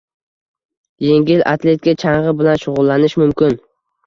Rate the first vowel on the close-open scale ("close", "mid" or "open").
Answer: mid